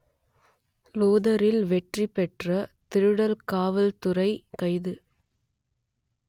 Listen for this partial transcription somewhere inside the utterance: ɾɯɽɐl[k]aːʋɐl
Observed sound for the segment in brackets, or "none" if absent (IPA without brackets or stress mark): k